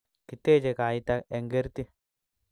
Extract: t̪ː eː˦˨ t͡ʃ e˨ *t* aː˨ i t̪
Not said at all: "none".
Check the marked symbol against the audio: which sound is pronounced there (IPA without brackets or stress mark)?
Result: k